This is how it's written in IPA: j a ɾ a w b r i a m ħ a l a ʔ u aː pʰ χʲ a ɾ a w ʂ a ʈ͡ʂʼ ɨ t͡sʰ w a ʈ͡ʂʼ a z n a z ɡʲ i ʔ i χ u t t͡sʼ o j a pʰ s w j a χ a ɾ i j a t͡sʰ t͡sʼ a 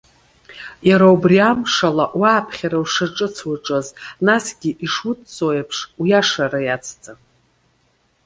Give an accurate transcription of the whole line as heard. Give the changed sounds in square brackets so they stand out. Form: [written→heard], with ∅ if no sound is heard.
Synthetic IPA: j a ɾ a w b r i a m [ħ→ʂ] a l a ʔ [u→w] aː pʰ χʲ a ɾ a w ʂ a ʈ͡ʂʼ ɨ t͡sʰ w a ʈ͡ʂʼ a z n a [z→s] ɡʲ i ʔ i [χ→ʂ] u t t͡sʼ o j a pʰ [s→ʂ] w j a [χ→ʂ] a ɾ [i→a] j a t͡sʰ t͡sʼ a